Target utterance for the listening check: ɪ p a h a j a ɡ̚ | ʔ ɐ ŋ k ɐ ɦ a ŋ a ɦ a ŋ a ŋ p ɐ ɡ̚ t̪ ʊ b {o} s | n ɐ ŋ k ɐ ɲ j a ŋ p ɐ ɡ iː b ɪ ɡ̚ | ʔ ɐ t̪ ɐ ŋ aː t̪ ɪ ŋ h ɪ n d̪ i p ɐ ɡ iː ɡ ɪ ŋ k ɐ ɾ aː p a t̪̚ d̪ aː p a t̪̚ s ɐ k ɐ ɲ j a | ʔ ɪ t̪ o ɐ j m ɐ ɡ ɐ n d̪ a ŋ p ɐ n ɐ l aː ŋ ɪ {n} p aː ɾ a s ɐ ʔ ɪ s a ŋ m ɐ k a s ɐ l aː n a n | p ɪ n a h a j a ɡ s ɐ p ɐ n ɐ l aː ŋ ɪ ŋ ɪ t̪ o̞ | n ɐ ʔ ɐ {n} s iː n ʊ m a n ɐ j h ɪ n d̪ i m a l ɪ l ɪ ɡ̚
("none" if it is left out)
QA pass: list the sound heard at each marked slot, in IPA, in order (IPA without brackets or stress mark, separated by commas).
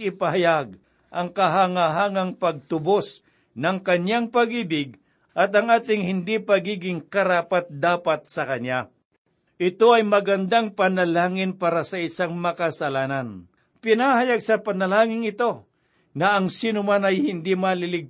o, n, ŋ